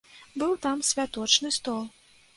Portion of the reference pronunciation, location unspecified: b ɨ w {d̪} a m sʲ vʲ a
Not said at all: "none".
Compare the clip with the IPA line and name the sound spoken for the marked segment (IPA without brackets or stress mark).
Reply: t̪